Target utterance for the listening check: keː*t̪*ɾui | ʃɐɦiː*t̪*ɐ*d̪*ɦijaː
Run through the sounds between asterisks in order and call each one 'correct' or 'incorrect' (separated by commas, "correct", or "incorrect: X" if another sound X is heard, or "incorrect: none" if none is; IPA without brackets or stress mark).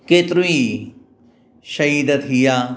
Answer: correct, incorrect: d̪, incorrect: t̪